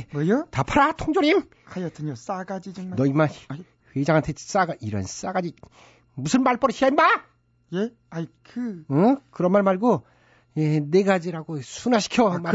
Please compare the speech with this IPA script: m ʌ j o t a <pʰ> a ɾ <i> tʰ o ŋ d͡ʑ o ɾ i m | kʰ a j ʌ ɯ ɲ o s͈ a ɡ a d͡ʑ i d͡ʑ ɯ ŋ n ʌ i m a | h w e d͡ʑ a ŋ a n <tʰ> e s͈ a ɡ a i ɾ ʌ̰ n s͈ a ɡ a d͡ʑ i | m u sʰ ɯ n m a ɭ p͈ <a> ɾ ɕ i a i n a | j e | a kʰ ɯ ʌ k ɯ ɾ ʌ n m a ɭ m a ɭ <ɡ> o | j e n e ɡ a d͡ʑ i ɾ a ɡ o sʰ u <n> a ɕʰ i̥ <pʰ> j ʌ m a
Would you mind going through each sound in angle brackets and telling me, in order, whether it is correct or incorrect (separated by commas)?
correct, incorrect, correct, incorrect, correct, correct, incorrect